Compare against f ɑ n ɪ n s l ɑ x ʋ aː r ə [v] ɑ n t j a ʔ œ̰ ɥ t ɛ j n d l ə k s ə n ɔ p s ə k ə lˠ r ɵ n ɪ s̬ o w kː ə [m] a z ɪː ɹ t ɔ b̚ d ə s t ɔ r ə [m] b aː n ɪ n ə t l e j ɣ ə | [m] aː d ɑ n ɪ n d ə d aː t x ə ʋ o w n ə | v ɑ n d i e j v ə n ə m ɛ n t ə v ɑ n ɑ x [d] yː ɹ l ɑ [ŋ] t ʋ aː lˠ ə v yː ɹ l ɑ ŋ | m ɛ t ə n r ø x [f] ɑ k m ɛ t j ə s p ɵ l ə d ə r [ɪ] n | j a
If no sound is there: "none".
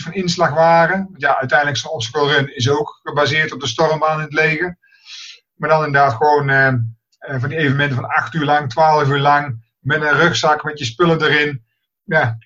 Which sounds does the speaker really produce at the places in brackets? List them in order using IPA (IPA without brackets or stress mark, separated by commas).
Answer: ʋ, b, m, m, t, ŋ, s, ɪ